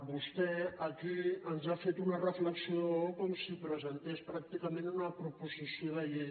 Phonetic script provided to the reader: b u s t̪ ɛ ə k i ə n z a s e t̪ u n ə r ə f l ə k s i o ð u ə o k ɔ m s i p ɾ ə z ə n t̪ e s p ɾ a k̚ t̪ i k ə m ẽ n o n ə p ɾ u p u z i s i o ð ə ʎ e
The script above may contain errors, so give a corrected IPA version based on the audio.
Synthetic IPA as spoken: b u s t̪ ɛ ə k i ə n z a f e t̪ u n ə r ə f l ə k s i o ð o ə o k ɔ m s i p ɾ ə z ə n t̪ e s p ɾ a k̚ t̪ i k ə m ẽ n u n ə p ɾ u p u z i s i o ð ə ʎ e